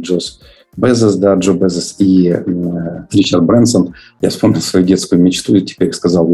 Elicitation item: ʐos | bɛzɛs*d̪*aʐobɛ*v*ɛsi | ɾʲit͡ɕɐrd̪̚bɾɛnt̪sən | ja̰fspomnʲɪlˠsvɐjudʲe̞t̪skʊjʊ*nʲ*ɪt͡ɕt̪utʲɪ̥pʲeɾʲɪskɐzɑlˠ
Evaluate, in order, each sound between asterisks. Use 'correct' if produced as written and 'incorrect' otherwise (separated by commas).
correct, incorrect, incorrect